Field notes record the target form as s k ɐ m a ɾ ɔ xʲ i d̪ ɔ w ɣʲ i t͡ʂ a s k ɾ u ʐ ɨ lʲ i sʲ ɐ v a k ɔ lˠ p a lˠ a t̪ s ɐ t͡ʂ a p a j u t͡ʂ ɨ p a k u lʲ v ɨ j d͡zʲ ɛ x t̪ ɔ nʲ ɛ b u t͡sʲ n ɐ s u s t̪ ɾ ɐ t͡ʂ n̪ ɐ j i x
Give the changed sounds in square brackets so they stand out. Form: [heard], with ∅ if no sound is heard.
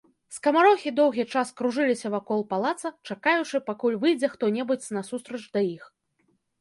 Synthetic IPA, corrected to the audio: s k ɐ m a ɾ ɔ xʲ i d̪ ɔ w ɣʲ i t͡ʂ a s k ɾ u ʐ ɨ lʲ i sʲ ɐ v a k ɔ lˠ p a lˠ a t̪ s ɐ t͡ʂ a [k] a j u t͡ʂ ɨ p a k u lʲ v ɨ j d͡zʲ ɛ x t̪ ɔ nʲ ɛ b u t͡sʲ n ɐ s u s t̪ ɾ ɐ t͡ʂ [d̪] ɐ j i x